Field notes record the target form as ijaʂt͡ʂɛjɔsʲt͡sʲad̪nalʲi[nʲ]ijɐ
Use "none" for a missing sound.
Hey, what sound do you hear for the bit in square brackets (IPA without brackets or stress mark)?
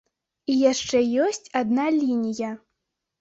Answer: nʲ